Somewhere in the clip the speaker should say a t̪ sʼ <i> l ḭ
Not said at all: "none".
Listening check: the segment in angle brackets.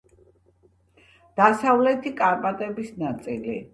i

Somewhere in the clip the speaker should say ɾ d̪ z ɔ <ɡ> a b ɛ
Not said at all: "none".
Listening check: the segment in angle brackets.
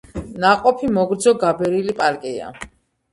ɡ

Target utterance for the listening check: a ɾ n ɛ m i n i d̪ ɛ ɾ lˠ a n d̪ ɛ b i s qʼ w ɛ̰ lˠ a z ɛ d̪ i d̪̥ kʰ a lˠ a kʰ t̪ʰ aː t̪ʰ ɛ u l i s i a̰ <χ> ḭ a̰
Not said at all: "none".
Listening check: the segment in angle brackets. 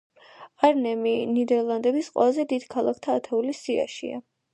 ʃ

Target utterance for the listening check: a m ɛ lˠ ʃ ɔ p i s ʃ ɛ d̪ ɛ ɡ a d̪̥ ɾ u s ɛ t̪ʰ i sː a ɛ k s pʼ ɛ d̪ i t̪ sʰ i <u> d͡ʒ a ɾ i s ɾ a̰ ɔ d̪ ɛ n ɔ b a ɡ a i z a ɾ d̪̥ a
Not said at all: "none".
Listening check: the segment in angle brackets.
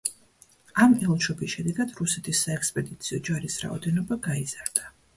ɔ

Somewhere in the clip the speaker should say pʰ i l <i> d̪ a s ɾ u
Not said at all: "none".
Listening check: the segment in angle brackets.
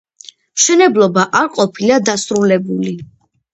a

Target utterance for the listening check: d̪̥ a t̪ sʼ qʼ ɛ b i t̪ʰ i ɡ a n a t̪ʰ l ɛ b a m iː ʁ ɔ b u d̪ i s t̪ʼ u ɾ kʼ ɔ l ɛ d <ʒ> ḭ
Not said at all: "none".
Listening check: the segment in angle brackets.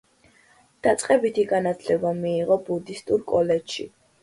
ʃ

